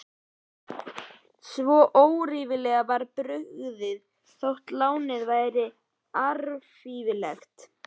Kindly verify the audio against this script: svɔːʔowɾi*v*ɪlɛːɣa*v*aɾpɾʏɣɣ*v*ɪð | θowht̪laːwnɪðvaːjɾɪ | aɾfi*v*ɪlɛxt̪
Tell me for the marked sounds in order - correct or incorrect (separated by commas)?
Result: correct, correct, incorrect, correct